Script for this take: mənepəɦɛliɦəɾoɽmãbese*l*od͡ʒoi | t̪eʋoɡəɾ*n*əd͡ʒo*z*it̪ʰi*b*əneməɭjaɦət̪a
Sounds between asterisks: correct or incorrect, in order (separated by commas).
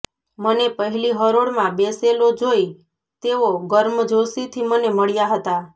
correct, incorrect, incorrect, incorrect